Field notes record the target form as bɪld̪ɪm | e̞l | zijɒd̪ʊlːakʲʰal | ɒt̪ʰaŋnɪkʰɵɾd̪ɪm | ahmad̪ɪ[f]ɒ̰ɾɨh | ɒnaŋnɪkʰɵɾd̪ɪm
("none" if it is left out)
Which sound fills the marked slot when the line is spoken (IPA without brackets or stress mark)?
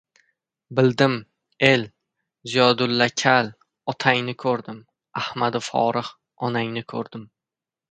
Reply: f